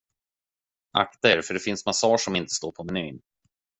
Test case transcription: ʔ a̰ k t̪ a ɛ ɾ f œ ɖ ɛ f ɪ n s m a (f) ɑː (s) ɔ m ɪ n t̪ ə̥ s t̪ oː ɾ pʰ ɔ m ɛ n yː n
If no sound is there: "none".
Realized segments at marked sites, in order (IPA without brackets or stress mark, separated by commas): s, ʂ